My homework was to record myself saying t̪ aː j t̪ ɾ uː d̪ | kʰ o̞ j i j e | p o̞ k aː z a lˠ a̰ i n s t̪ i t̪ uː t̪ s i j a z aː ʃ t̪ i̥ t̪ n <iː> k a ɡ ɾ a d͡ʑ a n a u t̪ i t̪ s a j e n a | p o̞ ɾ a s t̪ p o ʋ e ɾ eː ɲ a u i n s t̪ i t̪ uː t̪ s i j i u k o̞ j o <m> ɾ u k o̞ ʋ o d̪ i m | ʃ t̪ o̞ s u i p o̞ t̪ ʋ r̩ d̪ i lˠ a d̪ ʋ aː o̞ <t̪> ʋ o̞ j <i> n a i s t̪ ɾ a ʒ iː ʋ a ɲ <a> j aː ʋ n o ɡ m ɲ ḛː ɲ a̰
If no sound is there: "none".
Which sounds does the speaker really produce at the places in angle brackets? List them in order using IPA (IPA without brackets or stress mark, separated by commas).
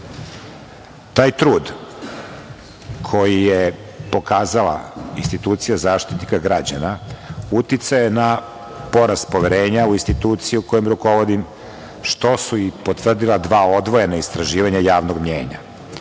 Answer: i, m, d̪, e, a